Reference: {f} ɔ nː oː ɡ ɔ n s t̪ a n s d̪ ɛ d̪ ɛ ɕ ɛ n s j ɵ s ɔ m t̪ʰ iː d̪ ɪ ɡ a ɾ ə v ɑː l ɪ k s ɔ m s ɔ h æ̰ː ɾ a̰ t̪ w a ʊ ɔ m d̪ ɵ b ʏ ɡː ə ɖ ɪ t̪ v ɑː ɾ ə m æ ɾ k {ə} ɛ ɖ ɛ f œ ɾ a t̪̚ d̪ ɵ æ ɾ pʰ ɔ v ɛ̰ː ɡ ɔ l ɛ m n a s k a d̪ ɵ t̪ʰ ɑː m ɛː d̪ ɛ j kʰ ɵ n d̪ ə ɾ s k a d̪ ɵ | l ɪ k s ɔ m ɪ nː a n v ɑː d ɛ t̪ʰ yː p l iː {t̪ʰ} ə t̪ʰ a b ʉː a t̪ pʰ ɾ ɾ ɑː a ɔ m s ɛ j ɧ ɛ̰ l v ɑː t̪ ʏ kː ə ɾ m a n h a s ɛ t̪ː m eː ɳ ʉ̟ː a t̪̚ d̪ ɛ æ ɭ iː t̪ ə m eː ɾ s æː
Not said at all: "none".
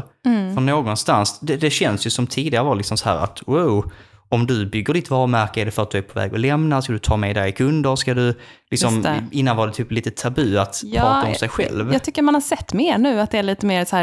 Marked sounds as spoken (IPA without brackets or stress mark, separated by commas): f, ə, t̪